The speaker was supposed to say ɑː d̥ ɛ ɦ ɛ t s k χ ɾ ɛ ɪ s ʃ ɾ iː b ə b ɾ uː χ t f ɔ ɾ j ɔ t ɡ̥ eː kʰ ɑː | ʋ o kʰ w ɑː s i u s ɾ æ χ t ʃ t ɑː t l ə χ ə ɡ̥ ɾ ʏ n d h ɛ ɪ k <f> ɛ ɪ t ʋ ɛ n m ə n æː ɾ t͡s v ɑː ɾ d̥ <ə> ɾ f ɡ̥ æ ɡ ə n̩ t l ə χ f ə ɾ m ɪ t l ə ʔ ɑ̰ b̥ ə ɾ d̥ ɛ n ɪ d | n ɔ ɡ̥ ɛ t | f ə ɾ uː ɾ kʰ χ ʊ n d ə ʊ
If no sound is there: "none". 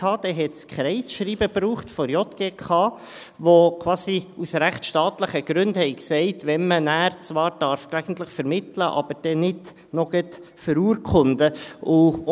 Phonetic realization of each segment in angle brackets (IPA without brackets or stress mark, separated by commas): s, ɑ